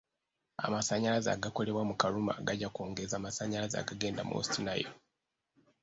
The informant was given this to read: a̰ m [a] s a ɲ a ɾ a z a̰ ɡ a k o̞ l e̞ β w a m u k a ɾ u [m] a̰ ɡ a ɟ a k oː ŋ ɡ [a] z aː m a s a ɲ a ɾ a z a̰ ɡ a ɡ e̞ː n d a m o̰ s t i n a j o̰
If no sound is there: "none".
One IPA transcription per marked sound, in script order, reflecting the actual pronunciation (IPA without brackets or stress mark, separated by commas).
a, m, e